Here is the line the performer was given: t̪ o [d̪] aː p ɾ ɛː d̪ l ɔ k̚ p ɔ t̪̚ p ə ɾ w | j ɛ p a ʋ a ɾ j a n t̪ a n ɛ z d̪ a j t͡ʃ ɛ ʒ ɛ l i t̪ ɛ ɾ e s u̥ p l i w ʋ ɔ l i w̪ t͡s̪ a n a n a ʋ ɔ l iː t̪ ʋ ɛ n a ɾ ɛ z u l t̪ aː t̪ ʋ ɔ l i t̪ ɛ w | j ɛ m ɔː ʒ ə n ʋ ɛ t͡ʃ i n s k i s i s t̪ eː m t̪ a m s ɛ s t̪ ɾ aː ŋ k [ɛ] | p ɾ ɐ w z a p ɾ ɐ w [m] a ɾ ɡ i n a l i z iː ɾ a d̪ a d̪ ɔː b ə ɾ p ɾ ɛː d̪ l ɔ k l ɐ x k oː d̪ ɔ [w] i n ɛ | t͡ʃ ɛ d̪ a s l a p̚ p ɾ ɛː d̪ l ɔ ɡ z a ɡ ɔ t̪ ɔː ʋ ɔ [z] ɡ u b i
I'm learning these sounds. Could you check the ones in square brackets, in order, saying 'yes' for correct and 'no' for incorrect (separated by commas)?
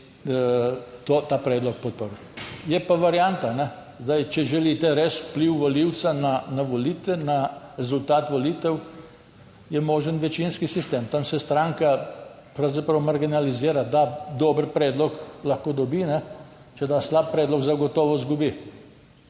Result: no, no, yes, no, yes